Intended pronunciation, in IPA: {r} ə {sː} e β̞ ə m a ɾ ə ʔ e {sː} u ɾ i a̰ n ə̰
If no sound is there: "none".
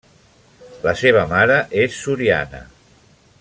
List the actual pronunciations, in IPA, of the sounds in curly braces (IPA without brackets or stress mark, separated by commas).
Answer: l, s, sː